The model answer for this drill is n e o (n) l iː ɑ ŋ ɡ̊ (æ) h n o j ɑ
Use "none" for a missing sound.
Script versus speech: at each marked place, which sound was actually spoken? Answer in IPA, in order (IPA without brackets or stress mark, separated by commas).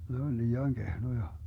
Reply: n, e